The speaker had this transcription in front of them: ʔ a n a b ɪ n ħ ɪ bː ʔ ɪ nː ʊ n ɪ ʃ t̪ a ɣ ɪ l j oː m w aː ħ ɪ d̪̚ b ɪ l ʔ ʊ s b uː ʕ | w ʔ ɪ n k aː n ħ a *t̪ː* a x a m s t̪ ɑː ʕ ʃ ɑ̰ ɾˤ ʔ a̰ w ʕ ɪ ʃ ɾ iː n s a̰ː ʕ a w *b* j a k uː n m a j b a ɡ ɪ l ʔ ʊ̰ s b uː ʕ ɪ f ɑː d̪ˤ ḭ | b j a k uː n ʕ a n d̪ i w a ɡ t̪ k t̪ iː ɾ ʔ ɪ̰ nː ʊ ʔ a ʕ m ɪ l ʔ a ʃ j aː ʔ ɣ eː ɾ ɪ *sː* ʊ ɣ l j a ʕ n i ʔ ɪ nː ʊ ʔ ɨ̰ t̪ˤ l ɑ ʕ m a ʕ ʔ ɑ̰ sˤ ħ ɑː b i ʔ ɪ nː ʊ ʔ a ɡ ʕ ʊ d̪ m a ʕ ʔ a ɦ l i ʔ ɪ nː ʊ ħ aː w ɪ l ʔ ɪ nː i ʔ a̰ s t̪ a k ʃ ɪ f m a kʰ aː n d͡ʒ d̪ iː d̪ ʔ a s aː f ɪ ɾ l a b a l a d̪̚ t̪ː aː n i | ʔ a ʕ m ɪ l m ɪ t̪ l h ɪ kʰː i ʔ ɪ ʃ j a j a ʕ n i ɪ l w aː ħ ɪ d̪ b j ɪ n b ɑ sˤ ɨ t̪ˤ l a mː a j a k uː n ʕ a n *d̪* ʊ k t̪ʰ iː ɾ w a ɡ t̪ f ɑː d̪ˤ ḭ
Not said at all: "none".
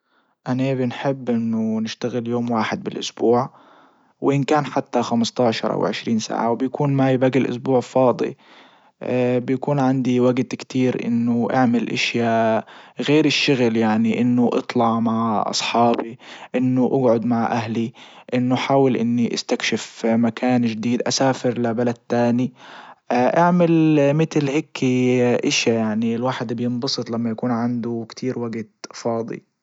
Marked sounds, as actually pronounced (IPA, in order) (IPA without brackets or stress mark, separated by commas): t̪ː, b, ʃː, d̪